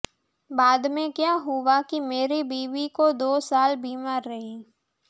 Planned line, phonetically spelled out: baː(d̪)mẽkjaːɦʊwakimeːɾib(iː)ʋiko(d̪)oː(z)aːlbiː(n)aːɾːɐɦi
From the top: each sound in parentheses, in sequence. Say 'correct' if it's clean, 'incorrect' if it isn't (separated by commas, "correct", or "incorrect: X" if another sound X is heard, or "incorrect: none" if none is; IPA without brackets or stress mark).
correct, correct, correct, incorrect: s, incorrect: m